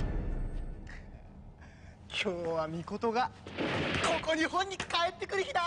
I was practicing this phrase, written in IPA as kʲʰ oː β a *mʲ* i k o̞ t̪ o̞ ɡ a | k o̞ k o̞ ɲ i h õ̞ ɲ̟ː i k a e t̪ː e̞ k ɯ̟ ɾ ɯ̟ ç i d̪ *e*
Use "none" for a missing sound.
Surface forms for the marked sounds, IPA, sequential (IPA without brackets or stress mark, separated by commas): mʲ, a